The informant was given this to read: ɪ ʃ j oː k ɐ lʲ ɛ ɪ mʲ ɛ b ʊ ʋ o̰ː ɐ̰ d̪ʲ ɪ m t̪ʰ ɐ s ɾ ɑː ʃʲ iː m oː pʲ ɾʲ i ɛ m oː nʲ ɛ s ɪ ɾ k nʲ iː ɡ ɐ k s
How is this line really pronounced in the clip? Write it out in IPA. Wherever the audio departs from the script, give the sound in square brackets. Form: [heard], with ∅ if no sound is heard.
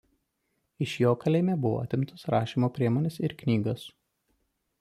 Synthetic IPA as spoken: ɪ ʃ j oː k ɐ lʲ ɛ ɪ mʲ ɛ b ʊ ʋ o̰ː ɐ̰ [t̪ʲ] ɪ m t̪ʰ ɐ s ɾ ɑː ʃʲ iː m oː pʲ ɾʲ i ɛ m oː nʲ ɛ s ɪ ɾ k nʲ iː ɡ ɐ [∅] s